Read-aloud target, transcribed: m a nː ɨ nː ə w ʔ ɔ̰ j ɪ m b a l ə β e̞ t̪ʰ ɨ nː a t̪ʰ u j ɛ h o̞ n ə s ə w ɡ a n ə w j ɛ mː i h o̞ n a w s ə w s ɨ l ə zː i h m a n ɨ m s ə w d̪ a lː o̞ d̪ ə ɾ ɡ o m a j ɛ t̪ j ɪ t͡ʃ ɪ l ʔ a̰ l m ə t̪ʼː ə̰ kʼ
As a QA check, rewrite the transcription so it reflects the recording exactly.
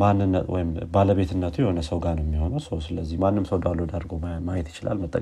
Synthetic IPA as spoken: m a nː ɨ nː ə w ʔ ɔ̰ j ɪ m b a l ə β e̞ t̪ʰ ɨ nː ə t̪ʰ u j ɛ h o̞ n ə s ə w ɡ a n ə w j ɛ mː i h o̞ n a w s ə w s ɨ l ə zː i h m a nː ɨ m s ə w d̪ a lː o̞ d̪ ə ɾ ɡ o m a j ɛ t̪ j ɪ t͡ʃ ɪ l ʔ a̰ l m ə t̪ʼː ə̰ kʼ